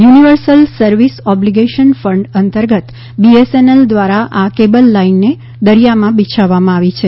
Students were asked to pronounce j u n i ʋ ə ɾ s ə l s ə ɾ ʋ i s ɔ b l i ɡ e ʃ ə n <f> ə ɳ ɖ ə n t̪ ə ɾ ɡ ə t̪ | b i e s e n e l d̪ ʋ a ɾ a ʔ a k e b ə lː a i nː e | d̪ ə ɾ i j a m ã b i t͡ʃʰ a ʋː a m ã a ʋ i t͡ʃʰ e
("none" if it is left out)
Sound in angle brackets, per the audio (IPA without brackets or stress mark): f